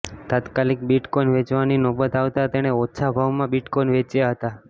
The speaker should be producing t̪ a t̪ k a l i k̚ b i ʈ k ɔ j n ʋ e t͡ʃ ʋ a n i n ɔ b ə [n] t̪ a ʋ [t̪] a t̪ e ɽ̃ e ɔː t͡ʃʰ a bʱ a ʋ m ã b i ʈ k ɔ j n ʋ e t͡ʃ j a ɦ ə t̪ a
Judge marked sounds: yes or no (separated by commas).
no, yes